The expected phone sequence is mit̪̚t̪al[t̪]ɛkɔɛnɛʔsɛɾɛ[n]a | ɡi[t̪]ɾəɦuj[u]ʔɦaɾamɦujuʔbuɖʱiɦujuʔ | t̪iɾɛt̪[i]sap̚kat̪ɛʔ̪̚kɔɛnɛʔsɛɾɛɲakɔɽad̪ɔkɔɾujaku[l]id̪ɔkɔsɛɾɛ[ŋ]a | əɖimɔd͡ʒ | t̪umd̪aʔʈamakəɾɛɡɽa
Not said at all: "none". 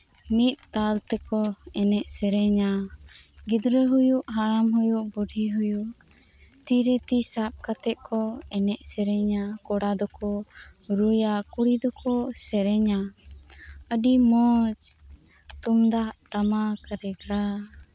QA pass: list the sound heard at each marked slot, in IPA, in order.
t̪, ɲ, d̪, u, i, ɽ, ɲ

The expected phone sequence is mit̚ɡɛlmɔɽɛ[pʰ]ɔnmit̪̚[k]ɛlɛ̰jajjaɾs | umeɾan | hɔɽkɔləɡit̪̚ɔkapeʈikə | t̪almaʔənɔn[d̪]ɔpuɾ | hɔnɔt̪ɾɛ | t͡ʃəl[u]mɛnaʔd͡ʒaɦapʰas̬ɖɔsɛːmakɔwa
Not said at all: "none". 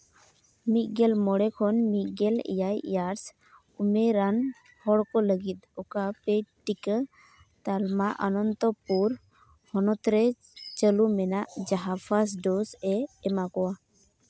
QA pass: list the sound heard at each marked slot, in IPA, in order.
kʰ, ɡ, t̪, u

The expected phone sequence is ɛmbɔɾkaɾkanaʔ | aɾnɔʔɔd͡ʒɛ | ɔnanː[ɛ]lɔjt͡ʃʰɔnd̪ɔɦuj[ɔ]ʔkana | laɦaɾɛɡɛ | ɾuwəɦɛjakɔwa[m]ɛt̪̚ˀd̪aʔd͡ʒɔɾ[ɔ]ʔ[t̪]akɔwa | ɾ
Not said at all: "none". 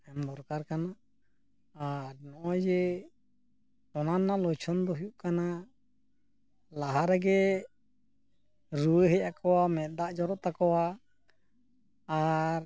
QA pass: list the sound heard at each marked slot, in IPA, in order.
a, u, m, ɔ, t̪

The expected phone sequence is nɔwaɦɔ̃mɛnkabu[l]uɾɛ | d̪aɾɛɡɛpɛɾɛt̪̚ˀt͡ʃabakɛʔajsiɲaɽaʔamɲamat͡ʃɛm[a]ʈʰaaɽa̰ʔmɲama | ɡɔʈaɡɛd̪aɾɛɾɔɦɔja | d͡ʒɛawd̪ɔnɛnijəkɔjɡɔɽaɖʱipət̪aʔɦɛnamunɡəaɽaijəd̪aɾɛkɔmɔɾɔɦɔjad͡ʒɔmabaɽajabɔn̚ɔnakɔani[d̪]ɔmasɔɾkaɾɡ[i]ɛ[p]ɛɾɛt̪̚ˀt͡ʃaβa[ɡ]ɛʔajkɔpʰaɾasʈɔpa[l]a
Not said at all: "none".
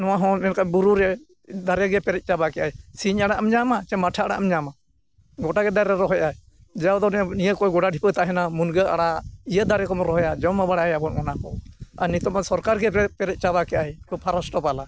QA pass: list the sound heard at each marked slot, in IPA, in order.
ɾ, a, t̪, ɛ, p, k, l

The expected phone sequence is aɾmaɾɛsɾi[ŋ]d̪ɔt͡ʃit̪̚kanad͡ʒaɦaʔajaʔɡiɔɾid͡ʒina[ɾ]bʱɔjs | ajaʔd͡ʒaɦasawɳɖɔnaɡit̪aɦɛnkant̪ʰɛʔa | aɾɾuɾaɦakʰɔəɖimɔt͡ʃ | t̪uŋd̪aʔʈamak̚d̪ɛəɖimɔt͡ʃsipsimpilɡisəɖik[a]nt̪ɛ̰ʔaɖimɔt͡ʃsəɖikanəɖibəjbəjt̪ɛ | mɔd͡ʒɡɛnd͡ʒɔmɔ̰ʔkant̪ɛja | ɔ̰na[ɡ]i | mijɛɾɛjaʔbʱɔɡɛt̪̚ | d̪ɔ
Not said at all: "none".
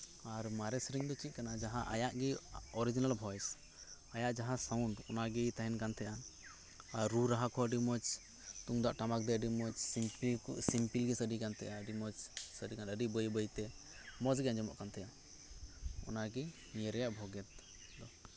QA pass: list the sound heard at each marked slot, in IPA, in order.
ŋ, l, a, ɡ

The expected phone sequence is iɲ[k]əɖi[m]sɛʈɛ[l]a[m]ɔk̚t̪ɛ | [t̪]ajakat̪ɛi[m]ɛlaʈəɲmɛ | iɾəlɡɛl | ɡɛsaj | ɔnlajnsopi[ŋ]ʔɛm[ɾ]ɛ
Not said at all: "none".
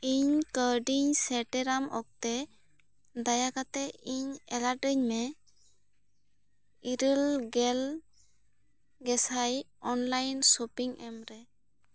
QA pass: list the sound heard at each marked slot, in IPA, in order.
k, ɲ, ɾ, m, d̪, ɲ, ŋ, ɾ

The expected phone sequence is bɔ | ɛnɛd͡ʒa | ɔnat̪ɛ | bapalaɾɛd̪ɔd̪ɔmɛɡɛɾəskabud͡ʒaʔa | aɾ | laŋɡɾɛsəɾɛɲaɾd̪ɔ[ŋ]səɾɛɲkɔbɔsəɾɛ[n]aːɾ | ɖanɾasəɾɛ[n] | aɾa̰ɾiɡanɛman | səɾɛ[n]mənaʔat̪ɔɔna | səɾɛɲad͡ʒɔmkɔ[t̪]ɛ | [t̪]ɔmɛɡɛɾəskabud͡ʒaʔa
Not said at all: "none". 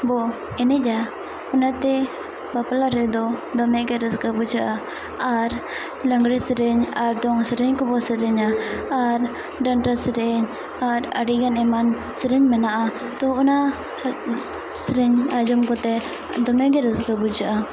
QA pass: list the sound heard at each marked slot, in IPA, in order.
ŋ, ɲ, ɲ, ɲ, t̪, d̪

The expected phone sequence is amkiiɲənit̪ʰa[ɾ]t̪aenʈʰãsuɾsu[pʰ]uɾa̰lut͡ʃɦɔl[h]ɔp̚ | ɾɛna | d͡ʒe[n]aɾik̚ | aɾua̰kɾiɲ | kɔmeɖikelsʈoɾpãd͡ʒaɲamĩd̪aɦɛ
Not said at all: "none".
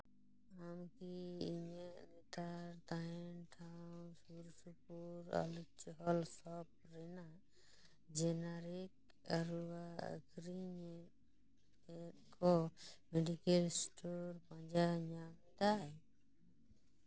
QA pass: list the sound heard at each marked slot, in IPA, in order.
ɾ, p, s, n

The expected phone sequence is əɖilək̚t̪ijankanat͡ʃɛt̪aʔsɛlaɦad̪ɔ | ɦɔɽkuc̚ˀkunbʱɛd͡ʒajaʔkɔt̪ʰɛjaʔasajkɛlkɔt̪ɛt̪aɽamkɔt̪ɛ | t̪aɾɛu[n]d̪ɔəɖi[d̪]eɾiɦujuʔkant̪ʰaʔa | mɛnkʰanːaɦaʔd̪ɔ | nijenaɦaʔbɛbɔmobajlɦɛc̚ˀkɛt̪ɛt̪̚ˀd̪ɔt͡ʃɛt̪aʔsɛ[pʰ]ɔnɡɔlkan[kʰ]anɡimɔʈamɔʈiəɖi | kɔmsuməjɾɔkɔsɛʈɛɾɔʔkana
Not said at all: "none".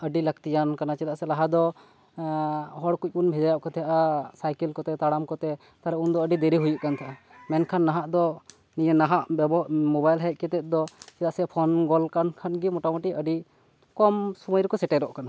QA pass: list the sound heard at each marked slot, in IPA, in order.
n, d̪, pʰ, kʰ

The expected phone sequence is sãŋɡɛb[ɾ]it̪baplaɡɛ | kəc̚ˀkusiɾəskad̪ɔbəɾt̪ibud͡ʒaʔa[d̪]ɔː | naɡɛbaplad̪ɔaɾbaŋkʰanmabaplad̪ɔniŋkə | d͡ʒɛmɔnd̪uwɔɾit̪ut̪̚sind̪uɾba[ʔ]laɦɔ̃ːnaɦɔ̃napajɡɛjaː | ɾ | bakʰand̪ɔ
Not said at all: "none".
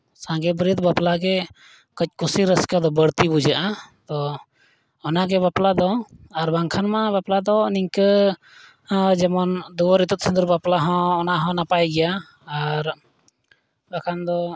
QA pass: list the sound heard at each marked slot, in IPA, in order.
ɾ, t̪, p

